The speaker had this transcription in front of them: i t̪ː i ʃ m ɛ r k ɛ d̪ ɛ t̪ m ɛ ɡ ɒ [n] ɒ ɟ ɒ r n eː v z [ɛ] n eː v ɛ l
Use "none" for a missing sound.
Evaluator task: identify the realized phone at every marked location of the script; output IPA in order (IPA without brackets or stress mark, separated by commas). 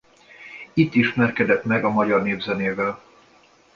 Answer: m, ɛ